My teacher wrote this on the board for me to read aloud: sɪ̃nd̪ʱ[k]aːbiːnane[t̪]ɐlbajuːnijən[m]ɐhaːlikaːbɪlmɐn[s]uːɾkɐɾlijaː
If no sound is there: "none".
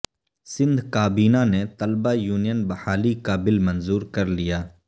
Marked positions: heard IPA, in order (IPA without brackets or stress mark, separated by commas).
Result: k, t̪, b, z